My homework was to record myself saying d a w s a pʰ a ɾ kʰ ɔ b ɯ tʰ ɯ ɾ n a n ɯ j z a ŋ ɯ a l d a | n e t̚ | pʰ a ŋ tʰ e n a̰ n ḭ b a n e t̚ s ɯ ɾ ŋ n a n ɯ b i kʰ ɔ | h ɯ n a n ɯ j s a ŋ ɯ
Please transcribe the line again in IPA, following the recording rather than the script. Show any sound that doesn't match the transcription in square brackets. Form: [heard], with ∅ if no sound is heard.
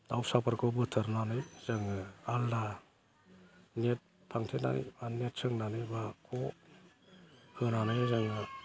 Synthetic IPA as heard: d a w s a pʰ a ɾ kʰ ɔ b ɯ tʰ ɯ ɾ n a n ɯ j z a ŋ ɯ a l d a | n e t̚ | pʰ a ŋ tʰ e n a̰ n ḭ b a n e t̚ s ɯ [∅] ŋ n a n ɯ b [a] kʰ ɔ | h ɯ n a n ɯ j [z] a ŋ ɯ